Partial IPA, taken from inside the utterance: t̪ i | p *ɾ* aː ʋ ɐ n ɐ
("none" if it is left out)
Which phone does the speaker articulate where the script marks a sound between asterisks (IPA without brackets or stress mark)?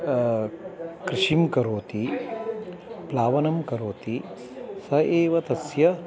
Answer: l